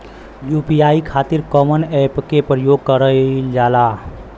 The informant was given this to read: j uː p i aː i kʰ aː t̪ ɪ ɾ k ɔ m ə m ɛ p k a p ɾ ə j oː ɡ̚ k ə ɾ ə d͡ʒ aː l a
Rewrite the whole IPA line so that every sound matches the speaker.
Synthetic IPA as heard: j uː p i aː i kʰ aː t̪ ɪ ɾ k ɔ m ə n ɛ p k e p ɾ ə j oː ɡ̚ k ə ɾ ə d͡ʒ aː l a